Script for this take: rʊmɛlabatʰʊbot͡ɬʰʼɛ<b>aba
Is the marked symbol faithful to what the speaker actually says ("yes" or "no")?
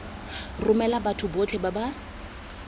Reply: yes